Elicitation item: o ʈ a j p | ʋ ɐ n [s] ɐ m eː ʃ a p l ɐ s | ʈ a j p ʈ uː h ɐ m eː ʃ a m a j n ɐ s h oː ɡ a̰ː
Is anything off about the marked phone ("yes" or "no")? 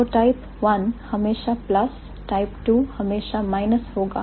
yes